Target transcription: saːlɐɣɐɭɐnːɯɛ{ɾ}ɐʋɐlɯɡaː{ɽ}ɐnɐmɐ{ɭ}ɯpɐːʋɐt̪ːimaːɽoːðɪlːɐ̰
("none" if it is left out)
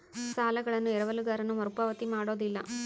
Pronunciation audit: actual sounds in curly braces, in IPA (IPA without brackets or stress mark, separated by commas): ɾ, ɾ, ɾ